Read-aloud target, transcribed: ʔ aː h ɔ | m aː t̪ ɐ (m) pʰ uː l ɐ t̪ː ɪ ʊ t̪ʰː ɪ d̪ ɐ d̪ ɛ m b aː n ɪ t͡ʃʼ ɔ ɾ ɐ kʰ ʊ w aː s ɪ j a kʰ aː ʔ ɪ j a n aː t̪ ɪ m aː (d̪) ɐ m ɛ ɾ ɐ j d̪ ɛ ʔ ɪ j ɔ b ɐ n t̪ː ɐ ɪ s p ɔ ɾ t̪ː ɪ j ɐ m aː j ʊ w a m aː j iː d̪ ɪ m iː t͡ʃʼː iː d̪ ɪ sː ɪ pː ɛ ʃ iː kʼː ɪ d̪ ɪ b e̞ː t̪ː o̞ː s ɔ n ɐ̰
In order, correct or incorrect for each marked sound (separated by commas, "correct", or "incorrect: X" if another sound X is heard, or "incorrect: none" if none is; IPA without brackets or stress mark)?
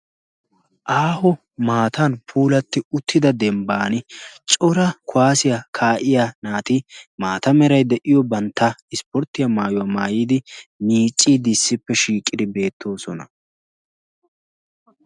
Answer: incorrect: n, incorrect: t̪